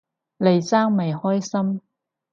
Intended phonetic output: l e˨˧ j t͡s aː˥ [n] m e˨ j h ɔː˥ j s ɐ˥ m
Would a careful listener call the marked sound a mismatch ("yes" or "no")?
yes